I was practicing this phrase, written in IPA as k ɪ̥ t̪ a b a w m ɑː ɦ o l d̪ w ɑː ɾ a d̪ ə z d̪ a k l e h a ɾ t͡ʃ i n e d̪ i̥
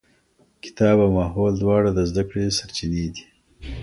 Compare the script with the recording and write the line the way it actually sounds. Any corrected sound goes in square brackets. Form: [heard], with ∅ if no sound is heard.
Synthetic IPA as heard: k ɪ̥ t̪ [ɑ] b a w m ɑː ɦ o l d̪ w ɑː [ɽ] a d̪ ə z d̪ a k [ɽ] e [s] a ɾ t͡ʃ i n e d̪ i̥